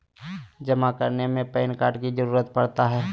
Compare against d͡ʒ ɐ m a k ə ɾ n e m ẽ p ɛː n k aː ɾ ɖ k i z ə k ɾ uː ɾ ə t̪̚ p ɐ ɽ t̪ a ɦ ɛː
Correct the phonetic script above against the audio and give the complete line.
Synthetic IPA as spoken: d͡ʒ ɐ m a k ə ɾ n e m ẽ p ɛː n k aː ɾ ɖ k i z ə ɾ uː ɾ ə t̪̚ p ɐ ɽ t̪ a ɦ ɛː